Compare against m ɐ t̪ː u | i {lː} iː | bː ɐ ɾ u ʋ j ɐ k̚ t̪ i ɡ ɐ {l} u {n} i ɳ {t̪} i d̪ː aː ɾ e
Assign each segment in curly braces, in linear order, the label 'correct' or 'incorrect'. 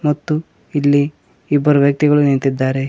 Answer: correct, incorrect, correct, correct

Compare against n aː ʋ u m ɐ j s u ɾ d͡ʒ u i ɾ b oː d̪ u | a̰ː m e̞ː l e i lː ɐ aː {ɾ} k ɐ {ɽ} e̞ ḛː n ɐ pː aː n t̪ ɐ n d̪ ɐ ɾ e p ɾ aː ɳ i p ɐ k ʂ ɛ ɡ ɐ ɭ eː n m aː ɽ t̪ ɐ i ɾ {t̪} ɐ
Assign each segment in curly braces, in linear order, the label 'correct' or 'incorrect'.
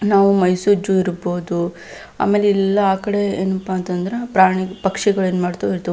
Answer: incorrect, correct, correct

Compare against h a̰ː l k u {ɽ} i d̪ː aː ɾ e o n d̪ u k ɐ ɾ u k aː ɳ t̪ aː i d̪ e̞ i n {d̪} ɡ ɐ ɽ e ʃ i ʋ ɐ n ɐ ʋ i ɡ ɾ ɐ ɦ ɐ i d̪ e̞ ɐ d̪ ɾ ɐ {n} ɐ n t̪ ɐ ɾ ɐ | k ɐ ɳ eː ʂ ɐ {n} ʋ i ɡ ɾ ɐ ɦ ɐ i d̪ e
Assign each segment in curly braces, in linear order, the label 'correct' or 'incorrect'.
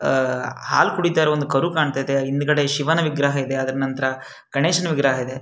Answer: correct, correct, correct, correct

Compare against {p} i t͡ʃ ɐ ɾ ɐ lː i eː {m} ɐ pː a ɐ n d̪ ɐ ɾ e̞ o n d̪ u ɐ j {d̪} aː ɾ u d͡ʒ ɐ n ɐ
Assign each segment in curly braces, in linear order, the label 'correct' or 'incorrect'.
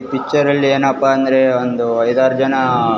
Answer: correct, incorrect, correct

